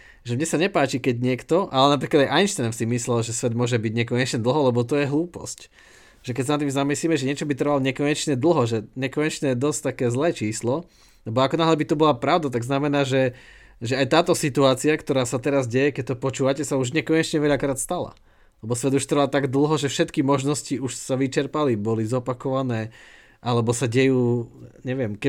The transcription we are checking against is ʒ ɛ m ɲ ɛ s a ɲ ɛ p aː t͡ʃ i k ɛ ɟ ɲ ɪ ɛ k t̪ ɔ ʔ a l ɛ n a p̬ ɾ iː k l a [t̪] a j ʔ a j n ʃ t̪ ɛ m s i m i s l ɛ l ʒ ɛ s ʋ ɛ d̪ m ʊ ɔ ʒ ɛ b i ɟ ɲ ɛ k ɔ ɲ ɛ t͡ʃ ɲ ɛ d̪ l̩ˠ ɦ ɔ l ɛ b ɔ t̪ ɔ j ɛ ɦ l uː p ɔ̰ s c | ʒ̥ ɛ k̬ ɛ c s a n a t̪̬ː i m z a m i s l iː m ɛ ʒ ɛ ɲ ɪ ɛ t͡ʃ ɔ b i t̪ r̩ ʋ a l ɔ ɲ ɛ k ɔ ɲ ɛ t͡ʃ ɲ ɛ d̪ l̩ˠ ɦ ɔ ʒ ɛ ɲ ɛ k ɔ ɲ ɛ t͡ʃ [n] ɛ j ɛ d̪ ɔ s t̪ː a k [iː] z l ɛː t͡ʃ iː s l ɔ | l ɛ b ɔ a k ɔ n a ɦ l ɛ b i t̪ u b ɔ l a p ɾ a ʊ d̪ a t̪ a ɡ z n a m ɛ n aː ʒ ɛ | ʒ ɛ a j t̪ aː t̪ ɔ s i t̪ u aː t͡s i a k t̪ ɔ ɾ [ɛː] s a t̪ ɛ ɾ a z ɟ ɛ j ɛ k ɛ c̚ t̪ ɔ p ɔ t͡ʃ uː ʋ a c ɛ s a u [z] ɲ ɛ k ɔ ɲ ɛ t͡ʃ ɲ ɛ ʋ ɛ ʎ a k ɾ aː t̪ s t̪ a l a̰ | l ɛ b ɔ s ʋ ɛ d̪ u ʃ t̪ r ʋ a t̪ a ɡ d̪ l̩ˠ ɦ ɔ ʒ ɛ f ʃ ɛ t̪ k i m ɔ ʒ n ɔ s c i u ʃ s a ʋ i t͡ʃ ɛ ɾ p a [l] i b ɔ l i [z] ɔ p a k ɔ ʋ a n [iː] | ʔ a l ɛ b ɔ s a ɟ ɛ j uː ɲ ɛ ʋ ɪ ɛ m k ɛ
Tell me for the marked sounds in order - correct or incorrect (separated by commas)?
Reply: incorrect, incorrect, incorrect, incorrect, incorrect, correct, correct, incorrect